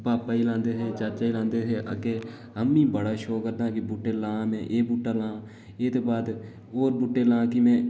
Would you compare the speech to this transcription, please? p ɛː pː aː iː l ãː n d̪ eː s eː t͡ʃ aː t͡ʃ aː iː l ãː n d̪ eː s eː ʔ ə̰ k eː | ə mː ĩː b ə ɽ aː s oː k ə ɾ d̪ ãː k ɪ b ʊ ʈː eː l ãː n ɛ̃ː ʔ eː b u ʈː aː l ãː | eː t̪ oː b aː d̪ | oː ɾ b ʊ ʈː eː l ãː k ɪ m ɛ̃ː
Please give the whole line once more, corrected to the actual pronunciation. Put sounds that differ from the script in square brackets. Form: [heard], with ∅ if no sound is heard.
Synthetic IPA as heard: p [aː] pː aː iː l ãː n d̪ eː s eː t͡ʃ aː t͡ʃ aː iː l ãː n d̪ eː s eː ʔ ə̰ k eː | ə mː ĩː b ə ɽ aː [ʃ] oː k ə ɾ d̪ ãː k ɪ b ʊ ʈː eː l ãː [m] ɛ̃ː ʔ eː b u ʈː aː l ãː | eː t̪ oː b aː d̪ | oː ɾ b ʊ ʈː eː l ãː k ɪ m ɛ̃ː